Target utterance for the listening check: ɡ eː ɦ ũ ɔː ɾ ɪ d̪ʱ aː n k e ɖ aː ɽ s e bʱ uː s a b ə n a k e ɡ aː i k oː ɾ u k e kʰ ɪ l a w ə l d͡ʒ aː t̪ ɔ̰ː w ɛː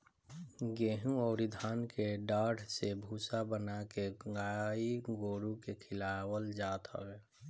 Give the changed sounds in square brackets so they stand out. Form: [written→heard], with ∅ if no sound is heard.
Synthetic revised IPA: ɡ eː ɦ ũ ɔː ɾ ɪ d̪ʱ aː n k e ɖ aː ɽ s e bʱ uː s a b ə n a k e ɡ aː i [k→ɡ] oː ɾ u k e kʰ ɪ l a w ə l d͡ʒ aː t̪ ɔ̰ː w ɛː